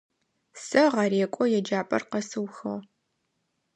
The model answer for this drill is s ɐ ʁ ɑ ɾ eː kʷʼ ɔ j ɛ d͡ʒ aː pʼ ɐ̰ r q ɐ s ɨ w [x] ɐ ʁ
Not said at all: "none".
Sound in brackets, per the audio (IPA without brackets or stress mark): x